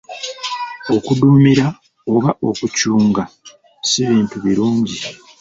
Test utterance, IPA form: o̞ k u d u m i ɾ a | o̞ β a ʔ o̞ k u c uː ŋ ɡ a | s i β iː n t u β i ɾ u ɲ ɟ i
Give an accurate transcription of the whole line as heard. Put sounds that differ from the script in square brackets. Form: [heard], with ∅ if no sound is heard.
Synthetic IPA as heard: o̞ k u d u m i ɾ a | o̞ β a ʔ o̞ k u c uː ŋ ɡ a | s i β iː n t u β i ɾ [uː] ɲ ɟ i